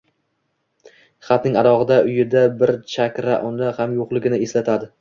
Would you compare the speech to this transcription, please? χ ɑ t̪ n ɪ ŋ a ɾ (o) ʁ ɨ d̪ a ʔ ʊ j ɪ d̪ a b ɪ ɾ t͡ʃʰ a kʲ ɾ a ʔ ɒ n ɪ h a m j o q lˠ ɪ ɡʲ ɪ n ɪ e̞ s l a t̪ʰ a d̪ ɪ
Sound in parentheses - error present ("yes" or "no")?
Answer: yes